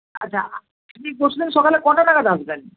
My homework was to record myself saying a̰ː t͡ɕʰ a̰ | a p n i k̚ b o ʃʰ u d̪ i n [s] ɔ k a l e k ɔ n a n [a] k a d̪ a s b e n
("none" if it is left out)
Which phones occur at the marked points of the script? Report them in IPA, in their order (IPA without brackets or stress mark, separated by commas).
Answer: ʃ, a